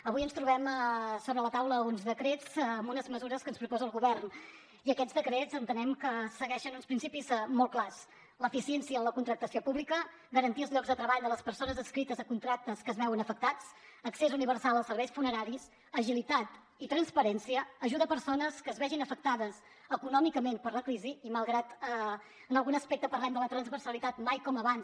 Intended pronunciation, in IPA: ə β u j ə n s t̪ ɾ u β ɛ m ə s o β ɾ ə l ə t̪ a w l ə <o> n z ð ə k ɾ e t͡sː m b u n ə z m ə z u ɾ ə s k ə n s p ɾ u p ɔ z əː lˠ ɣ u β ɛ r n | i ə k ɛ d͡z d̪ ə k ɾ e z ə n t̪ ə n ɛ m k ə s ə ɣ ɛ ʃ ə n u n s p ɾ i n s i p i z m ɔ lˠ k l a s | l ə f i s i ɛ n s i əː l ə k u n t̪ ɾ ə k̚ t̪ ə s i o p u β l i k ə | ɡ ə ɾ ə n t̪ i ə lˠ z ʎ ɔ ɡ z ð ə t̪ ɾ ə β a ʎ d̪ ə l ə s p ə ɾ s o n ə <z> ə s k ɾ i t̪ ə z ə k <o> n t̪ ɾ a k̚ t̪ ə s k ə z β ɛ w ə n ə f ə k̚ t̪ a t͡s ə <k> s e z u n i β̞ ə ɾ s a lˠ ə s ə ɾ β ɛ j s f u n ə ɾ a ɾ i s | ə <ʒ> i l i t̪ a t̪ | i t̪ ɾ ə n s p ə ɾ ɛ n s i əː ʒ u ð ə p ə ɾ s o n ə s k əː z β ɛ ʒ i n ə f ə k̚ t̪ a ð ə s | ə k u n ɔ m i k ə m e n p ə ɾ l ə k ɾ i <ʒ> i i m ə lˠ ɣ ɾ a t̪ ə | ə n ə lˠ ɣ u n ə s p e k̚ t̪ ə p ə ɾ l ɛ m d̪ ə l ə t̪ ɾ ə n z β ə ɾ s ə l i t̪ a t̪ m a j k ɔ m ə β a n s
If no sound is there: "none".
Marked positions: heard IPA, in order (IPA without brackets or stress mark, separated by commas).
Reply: u, z, u, k, ʒ, z